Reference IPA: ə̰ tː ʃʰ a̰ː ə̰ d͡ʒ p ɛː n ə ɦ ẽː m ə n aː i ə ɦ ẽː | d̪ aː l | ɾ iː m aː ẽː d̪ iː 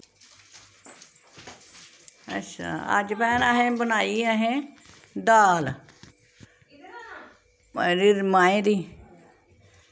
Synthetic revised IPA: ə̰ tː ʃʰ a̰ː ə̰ d͡ʒ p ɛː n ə ɦ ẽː b ə n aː i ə ɦ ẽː | d̪ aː l | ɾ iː m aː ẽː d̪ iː